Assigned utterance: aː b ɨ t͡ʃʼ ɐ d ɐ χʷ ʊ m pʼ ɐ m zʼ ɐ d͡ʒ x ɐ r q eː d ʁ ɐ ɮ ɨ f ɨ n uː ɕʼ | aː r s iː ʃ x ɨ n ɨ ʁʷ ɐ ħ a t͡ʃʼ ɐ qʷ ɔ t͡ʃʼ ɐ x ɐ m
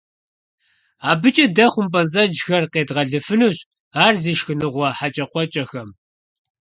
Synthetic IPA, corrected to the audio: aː b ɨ t͡ʃʼ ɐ d ɐ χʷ ʊ m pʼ ɐ n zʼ ɐ d͡ʒ x ɐ r q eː d ʁ ɐ ɮ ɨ f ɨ n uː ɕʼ | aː r z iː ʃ x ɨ n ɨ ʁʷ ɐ ħ a t͡ʃʼ ɐ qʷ ɔ t͡ʃʼ ɐ x ɐ m